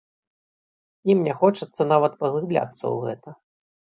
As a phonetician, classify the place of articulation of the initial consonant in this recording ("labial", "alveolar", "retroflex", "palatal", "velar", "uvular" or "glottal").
labial